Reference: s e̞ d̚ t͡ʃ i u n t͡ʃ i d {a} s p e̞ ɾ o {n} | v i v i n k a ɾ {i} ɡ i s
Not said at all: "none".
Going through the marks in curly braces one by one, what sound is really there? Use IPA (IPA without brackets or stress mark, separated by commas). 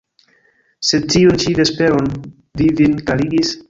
e, n, i